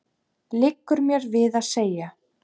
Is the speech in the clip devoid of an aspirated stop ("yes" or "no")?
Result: yes